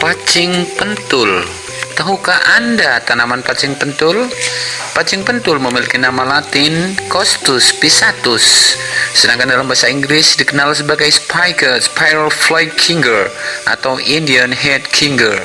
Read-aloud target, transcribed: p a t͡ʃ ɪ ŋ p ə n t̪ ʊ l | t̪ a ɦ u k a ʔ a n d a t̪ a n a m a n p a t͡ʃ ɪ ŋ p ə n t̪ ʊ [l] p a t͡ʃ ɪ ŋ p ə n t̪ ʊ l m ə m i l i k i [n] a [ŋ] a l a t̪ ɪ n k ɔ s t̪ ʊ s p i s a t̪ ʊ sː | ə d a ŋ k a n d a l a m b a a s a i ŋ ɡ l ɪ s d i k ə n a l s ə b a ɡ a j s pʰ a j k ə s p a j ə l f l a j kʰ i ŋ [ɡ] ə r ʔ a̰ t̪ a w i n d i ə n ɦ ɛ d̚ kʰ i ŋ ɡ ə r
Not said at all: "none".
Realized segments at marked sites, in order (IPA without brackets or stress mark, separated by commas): l, n, m, ɡ